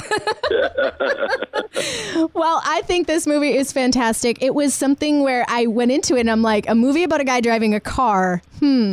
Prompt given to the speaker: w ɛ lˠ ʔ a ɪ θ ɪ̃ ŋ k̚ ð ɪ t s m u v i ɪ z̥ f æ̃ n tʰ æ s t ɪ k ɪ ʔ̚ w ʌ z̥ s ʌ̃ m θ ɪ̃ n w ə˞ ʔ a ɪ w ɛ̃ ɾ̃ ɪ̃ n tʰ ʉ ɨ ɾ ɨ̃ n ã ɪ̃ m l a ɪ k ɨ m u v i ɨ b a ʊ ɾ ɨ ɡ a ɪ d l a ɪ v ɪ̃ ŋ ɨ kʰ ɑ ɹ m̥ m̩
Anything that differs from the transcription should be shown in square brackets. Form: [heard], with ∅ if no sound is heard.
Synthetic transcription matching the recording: w ɛ lˠ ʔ a ɪ θ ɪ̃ ŋ k̚ ð ɪ [∅] s m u v i ɪ z̥ f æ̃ n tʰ æ s t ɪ k ɪ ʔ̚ w ʌ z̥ s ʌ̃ m θ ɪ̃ [ŋ] w ə˞ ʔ a ɪ w ɛ̃ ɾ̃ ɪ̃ n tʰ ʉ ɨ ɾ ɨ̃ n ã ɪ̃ m l a ɪ k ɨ m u v i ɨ b a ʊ ɾ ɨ ɡ a ɪ d [ɹ] a ɪ v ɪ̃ ŋ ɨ kʰ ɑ ɹ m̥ m̩